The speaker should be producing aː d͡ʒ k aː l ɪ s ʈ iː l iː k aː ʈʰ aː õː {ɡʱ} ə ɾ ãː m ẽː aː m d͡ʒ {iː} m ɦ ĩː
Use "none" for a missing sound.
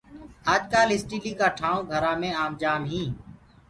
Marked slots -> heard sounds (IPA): ɡʱ, aː

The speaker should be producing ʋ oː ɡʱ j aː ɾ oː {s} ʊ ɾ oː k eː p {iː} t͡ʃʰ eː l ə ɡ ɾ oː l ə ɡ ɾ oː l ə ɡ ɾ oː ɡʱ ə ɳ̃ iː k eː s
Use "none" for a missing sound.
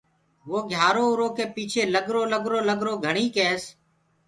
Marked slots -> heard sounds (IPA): none, iː

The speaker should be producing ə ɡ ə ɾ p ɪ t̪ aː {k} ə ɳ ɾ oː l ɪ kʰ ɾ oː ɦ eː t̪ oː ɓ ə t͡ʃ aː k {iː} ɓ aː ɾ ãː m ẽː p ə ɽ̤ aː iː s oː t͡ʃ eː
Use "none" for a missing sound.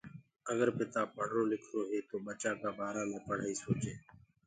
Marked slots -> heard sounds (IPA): p, aː

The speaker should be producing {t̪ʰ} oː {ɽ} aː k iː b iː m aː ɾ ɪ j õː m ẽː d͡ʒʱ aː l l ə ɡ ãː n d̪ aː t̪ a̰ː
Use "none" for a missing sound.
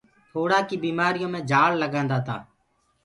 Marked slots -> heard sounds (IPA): t̪ʰ, ɽ

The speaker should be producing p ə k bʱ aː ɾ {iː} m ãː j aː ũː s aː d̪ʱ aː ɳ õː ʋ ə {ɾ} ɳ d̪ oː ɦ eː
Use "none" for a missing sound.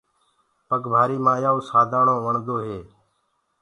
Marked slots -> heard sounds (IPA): iː, none

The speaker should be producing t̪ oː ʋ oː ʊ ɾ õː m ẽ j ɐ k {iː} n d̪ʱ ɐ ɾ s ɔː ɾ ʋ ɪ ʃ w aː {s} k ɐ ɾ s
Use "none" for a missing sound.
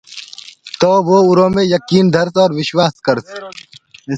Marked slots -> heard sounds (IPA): iː, s

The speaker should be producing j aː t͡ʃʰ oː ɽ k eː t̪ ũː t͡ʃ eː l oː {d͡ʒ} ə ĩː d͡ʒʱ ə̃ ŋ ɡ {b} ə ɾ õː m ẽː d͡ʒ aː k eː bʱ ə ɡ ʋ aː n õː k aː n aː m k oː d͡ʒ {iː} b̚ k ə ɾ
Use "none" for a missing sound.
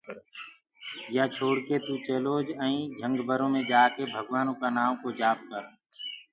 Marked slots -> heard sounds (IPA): d͡ʒ, b, aː

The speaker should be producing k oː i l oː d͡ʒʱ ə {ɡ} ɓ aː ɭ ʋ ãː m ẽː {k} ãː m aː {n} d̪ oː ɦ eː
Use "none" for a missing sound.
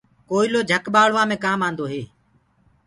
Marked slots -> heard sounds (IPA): k, k, n

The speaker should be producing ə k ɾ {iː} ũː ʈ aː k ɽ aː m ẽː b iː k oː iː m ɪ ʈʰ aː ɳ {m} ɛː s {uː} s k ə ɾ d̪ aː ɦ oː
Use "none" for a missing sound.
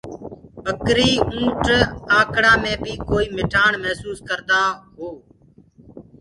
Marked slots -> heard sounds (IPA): iː, m, uː

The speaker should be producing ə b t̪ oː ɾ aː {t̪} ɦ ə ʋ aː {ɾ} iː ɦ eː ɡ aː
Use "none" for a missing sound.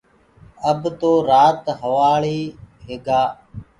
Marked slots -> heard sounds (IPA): t̪, ɭ

